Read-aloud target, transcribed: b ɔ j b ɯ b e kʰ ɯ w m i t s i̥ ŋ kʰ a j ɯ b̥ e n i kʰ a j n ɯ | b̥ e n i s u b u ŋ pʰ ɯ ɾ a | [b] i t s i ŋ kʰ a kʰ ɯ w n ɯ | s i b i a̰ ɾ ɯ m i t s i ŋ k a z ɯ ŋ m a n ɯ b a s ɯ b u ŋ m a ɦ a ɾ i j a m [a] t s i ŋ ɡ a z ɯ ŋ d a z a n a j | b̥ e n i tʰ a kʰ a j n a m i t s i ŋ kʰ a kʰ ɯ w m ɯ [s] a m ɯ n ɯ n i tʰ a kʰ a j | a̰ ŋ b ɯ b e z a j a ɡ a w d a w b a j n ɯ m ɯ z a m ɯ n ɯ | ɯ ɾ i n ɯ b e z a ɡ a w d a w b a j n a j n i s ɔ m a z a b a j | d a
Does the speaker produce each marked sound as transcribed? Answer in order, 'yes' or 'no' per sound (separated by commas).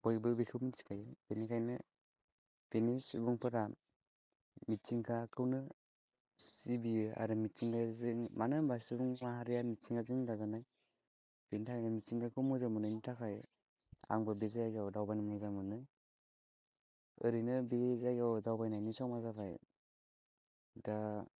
no, no, no